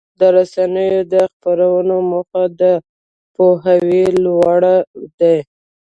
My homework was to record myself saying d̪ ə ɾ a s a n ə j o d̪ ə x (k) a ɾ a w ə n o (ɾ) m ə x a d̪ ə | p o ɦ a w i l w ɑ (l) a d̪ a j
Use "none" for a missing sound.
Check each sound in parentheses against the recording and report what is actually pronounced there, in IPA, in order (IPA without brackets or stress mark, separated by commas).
p, none, ɽ